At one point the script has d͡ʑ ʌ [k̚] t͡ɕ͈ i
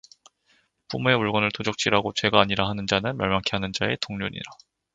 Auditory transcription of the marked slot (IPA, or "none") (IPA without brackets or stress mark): k̚